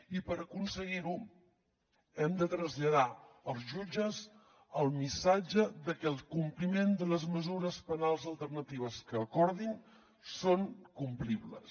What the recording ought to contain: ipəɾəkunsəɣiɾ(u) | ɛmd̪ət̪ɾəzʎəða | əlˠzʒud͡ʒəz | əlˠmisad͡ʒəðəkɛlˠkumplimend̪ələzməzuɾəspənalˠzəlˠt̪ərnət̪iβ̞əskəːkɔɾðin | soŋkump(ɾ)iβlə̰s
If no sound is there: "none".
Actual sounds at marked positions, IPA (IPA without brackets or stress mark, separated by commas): u, l